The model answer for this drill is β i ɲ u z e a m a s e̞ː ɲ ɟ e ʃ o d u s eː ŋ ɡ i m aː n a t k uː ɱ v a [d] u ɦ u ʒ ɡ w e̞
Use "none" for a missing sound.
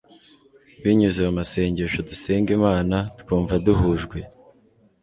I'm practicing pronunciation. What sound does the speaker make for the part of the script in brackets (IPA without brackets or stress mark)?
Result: d